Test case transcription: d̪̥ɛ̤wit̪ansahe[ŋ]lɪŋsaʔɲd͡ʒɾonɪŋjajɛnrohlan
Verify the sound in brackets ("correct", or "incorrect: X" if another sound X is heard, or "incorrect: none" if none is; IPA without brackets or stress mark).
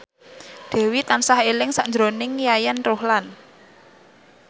incorrect: none